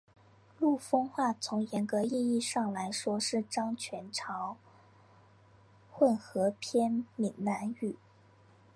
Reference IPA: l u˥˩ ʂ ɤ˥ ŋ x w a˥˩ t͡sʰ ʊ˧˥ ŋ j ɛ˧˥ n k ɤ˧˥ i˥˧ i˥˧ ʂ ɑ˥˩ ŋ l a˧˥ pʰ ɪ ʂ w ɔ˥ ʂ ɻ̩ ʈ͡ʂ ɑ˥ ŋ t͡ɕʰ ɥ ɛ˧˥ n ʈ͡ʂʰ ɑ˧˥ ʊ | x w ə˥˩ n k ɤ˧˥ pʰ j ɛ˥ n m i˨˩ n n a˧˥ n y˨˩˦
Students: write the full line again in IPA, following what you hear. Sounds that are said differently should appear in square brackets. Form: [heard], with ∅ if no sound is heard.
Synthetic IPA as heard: l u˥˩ [f] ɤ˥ ŋ x w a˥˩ t͡sʰ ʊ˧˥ ŋ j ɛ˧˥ n k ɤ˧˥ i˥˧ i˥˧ ʂ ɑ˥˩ ŋ l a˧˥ [∅] ɪ ʂ w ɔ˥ ʂ ɻ̩ ʈ͡ʂ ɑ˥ ŋ t͡ɕʰ ɥ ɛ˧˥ n ʈ͡ʂʰ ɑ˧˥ ʊ | x w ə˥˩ n [x] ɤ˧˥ pʰ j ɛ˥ n m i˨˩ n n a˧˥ n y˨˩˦